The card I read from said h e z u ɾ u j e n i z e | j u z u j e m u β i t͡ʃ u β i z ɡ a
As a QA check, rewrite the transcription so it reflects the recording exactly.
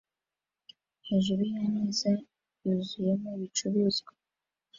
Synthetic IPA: h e ʒ u ɾ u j a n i z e | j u z u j e m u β i t͡ʃ u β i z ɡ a